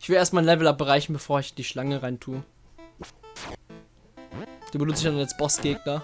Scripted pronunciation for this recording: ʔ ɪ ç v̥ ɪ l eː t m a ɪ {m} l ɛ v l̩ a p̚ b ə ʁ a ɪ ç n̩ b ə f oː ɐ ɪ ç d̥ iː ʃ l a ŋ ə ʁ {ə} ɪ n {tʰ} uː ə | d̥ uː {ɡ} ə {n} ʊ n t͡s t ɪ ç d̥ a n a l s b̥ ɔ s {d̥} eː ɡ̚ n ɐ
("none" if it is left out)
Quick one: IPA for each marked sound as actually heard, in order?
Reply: n, a, tʰ, b, n, ɡ̥

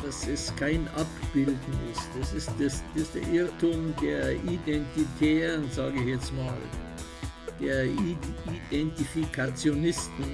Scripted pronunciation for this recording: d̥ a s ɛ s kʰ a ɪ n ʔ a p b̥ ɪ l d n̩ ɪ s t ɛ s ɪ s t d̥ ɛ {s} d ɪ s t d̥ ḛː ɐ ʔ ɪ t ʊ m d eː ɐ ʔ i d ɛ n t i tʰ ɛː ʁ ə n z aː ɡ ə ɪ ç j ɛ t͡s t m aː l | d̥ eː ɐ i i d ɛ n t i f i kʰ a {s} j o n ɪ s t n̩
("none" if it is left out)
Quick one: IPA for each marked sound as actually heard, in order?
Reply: s, t͡s

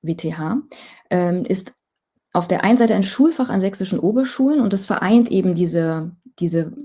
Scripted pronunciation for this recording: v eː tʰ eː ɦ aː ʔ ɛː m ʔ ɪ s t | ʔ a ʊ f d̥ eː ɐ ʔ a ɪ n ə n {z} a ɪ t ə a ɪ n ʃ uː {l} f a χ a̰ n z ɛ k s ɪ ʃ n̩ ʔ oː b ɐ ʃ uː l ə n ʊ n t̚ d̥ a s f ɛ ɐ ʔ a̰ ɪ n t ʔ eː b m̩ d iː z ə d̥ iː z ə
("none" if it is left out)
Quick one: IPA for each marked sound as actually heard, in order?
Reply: z, l

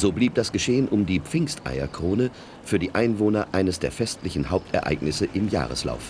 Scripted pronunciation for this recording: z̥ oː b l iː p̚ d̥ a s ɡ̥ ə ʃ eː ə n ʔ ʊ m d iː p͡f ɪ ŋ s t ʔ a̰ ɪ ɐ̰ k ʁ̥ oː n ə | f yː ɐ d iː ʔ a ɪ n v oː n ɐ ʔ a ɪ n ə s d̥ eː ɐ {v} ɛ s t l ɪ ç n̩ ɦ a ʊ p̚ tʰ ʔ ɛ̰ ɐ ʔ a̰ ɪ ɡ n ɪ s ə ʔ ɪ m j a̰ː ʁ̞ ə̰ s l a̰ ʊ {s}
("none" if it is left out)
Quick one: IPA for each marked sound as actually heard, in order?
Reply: f, f

